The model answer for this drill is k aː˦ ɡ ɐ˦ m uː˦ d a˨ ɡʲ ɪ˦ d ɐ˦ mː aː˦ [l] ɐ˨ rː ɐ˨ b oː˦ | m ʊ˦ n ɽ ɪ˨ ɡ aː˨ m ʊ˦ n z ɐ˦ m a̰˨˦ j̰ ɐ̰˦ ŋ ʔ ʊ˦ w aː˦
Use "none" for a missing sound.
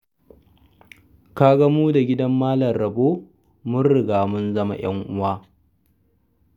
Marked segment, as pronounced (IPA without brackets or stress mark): l